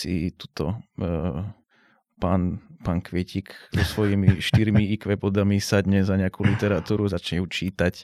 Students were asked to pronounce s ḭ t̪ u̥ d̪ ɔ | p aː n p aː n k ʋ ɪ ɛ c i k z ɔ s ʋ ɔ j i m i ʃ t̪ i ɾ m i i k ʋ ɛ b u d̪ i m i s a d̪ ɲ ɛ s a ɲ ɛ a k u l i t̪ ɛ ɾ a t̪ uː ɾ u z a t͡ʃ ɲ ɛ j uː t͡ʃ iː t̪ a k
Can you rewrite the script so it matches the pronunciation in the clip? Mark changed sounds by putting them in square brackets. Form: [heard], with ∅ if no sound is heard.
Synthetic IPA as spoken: s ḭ t̪ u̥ [t̪] ɔ | p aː n p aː n k ʋ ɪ ɛ c i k z ɔ s ʋ ɔ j i m i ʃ t̪ i ɾ m i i k ʋ ɛ b [ɔ] d̪ [a] m i s a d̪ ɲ ɛ [z] a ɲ ɛ a k u l i t̪ ɛ ɾ a t̪ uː ɾ u z a t͡ʃ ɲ ɛ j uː t͡ʃ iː t̪ a [c]